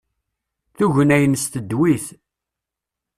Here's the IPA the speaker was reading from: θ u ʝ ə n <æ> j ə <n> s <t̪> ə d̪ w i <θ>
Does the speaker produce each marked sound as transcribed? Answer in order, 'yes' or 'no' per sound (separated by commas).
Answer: yes, yes, yes, yes